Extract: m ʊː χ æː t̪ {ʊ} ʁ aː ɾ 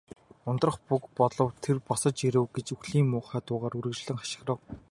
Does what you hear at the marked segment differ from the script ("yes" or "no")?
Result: yes